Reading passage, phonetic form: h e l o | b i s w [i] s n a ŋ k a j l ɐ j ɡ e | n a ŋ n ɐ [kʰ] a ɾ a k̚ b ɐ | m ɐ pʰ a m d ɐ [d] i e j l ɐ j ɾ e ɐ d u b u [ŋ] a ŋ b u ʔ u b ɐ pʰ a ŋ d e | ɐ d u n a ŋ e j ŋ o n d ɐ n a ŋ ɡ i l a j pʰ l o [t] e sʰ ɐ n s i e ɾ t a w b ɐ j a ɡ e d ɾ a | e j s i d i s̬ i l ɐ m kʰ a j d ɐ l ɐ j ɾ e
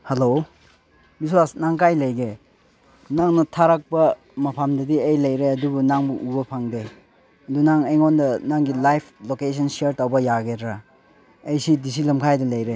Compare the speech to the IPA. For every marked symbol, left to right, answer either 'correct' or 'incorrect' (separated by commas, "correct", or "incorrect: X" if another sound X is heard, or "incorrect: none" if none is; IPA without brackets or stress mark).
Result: incorrect: a, incorrect: tʰ, correct, incorrect: n, incorrect: k